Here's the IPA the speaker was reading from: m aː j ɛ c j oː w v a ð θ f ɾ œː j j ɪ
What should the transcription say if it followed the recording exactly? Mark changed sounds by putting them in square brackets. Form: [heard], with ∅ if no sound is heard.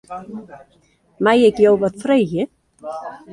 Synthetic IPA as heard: m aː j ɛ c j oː w v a ð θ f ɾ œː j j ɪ